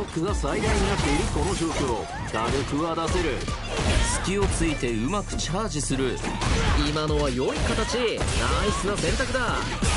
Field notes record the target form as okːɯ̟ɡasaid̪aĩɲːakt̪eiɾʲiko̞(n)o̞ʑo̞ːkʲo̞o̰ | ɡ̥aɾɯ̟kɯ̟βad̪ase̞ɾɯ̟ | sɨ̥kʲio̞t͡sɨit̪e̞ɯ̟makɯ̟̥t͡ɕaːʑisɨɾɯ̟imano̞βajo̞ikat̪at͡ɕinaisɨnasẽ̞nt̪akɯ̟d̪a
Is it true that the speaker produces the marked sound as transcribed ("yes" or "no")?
yes